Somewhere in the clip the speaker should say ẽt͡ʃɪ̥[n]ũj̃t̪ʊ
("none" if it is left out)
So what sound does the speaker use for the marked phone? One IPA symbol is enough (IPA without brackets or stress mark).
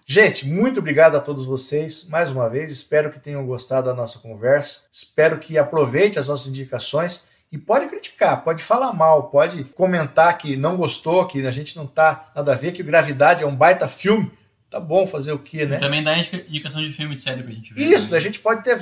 m